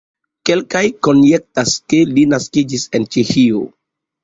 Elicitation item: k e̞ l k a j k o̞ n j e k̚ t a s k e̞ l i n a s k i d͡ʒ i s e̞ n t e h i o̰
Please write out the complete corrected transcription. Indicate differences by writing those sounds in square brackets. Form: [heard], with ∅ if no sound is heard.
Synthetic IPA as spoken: k e̞ l k a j k o̞ n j e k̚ t a s k e̞ l i n a s k i d͡ʒ i s e̞ n [t͡ʃ] e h i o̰